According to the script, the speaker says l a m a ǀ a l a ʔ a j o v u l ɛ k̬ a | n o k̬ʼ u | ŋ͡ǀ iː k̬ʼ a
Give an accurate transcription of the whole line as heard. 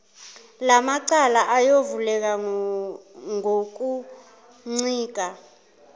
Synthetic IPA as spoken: l a m a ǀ a l a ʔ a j o v u l ɛ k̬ a | ŋ o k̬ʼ u | ŋ͡ǀ iː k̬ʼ a